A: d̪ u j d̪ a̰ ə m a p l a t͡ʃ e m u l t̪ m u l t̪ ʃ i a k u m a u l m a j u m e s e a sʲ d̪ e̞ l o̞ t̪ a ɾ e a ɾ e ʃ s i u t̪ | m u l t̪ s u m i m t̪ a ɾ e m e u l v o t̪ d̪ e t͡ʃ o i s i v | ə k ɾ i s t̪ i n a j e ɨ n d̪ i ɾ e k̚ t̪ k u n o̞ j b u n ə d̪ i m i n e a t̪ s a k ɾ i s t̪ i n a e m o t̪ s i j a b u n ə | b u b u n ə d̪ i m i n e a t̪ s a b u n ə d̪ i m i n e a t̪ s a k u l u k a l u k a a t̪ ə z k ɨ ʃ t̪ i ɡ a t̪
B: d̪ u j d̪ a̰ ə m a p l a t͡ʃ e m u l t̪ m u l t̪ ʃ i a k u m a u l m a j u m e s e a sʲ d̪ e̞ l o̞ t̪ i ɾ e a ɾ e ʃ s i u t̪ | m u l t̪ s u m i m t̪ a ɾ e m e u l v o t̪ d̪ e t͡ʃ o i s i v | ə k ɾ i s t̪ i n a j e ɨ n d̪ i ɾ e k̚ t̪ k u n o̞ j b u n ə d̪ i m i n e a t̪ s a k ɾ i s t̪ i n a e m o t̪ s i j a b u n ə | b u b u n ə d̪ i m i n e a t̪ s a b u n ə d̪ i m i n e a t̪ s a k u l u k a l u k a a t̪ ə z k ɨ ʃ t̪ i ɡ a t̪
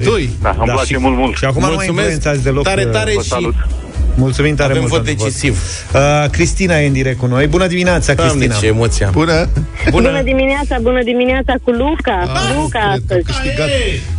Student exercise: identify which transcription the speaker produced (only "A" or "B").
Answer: A